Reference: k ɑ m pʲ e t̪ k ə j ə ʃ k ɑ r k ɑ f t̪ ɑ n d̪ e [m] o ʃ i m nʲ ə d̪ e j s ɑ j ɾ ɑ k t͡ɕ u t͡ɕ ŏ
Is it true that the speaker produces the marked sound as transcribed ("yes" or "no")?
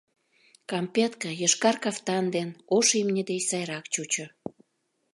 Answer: no